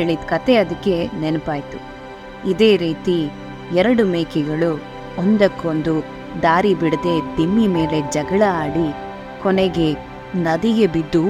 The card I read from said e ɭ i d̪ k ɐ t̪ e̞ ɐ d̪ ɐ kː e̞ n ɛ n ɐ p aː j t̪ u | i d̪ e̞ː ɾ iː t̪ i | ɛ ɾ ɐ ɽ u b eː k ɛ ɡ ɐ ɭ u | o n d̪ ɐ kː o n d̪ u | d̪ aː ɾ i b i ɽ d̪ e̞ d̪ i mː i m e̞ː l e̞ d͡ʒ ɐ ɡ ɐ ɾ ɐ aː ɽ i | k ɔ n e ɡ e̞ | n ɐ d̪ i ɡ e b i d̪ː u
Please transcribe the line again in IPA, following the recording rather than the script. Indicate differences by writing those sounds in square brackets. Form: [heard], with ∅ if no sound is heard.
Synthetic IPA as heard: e ɭ i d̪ k ɐ t̪ e̞ ɐ d̪ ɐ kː e̞ n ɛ n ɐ p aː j t̪ u | i d̪ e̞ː ɾ iː t̪ i | ɛ ɾ ɐ ɽ u [m] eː k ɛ ɡ ɐ ɭ u | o n d̪ ɐ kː o n d̪ u | d̪ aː ɾ i b i ɽ d̪ e̞ d̪ i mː i m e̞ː l e̞ d͡ʒ ɐ ɡ ɐ [ɭ] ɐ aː ɽ i | k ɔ n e ɡ e̞ | n ɐ d̪ i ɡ e b i d̪ː u